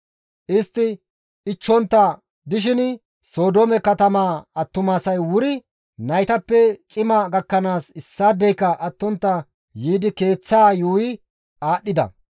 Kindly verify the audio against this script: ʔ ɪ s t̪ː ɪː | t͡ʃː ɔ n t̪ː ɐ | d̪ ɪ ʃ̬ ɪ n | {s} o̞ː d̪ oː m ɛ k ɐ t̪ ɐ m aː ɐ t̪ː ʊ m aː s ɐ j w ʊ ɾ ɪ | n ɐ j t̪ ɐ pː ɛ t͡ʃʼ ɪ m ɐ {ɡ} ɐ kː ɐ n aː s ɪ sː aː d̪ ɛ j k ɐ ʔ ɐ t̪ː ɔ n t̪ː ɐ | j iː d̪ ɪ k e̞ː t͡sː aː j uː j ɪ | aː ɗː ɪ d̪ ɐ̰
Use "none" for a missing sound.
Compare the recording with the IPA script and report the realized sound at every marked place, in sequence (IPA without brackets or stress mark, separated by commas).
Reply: s, ɡ